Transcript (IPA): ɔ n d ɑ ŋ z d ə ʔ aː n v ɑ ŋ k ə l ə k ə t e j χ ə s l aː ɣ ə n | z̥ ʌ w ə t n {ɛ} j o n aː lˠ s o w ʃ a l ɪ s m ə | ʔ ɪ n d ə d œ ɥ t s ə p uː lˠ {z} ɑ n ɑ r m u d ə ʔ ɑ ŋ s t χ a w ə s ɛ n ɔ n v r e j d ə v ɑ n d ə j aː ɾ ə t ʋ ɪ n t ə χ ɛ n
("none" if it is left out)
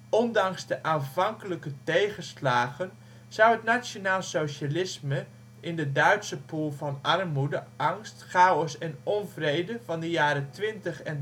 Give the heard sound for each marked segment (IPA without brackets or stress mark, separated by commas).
a, v